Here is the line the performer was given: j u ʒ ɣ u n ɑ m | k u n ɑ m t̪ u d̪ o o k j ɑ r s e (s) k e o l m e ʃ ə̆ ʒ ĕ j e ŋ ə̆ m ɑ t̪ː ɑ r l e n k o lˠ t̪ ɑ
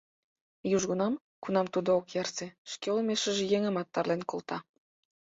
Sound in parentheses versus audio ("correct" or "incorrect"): incorrect